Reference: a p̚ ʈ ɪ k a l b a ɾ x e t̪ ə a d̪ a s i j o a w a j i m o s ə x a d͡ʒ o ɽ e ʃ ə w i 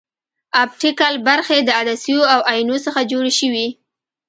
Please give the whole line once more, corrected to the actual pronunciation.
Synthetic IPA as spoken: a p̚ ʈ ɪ k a l b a ɾ x e d̪ ə a d̪ a s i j o a w a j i n o s ə x a d͡ʒ o ɽ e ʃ ə w i